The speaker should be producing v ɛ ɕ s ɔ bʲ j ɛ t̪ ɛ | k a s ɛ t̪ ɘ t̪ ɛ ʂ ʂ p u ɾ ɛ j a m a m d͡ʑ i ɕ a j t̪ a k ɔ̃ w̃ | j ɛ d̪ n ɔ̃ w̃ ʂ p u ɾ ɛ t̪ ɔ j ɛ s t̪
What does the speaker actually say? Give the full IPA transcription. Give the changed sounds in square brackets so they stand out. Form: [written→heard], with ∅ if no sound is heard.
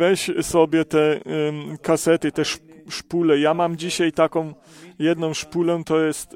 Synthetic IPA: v ɛ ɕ s ɔ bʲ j ɛ t̪ ɛ | k a s ɛ t̪ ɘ t̪ ɛ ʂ ʂ p u [ɾ→l] ɛ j a m a m d͡ʑ i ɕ a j t̪ a k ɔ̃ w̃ | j ɛ d̪ n ɔ̃ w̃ ʂ p u [ɾ→l] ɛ t̪ ɔ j ɛ s t̪